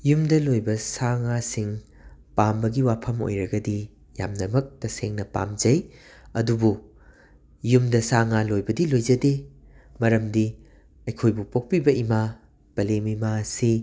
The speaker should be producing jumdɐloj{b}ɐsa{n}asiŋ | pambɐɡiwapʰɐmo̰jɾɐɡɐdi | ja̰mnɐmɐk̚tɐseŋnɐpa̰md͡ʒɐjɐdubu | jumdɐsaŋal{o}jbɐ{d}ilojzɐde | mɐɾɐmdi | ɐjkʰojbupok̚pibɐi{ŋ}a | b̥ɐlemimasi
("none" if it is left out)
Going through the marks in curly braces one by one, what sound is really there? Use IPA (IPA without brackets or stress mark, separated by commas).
b, ŋ, o, d, m